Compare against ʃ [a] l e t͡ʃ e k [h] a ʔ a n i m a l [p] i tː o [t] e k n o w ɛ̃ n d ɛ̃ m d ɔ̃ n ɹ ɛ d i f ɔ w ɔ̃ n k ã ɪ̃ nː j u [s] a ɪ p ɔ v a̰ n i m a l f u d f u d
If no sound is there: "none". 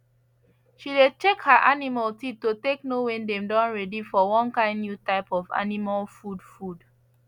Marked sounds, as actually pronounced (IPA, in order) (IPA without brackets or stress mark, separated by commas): i, h, t, t, t